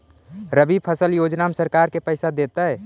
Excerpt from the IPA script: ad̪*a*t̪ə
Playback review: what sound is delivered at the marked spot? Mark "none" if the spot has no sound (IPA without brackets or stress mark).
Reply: e